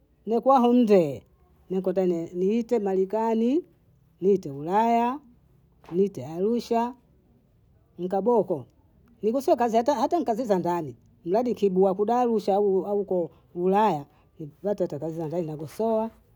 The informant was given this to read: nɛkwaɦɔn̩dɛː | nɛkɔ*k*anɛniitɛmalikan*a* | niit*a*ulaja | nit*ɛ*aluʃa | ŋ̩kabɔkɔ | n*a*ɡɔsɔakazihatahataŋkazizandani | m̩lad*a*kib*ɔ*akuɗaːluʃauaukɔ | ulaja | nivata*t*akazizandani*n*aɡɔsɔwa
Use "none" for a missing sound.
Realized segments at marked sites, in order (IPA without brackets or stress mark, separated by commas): t, i, ɛ, ɛ, i, i, u, t, n